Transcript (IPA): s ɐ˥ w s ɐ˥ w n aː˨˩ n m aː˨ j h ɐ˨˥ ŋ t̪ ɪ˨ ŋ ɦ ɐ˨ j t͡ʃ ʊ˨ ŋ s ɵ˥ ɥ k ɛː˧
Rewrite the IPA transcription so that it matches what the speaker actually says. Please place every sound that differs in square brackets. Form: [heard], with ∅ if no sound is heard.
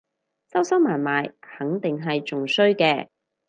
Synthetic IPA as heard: s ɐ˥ w s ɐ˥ w [m] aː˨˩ n m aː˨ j h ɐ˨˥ ŋ t̪ ɪ˨ ŋ ɦ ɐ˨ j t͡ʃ ʊ˨ ŋ s ɵ˥ ɥ k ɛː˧